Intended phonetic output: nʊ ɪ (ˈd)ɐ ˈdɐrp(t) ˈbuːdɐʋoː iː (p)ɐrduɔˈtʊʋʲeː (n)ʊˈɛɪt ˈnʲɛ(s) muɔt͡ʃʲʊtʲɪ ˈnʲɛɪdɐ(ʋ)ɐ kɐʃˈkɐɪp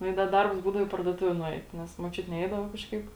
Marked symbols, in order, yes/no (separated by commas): yes, no, yes, yes, yes, yes